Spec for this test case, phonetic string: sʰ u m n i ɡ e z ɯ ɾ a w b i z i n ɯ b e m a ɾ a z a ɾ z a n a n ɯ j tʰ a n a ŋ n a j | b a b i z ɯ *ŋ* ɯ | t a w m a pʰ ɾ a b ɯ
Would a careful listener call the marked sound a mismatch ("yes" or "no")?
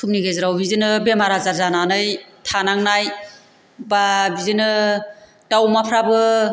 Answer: yes